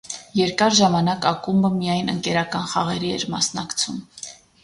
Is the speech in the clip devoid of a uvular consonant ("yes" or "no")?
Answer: no